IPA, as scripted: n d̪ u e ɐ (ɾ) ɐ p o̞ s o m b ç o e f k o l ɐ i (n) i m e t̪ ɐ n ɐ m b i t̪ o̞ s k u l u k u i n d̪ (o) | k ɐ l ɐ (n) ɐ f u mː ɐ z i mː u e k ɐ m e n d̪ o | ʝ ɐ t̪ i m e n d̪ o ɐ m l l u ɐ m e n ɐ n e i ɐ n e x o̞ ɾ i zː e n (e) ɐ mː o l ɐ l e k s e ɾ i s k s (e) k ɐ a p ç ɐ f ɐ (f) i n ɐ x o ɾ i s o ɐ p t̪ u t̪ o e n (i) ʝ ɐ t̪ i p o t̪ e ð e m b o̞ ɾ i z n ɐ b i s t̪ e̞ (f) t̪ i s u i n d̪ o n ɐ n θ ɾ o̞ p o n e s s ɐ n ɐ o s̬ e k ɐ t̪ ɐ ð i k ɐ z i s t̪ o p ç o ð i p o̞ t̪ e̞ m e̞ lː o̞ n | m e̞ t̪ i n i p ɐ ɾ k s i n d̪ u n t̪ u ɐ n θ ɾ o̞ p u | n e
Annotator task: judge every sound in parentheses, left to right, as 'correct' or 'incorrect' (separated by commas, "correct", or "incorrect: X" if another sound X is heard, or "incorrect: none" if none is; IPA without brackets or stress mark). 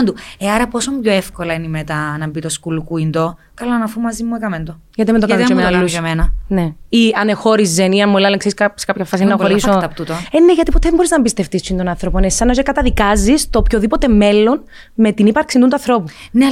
correct, correct, correct, correct, incorrect: i, correct, incorrect: s, incorrect: e, correct